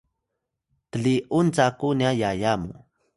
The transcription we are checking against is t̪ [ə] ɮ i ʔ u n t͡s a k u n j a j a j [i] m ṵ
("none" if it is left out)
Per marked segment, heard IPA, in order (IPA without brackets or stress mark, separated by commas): ə, a